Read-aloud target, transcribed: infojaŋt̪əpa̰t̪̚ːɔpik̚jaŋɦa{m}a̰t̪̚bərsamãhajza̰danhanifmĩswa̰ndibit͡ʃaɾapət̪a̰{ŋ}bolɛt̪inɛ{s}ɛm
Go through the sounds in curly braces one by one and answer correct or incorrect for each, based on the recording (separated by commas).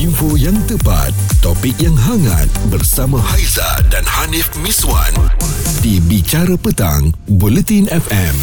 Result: incorrect, correct, incorrect